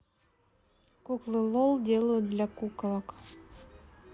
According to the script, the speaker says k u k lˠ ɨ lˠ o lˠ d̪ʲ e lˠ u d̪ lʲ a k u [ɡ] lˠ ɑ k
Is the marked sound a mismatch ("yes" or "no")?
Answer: yes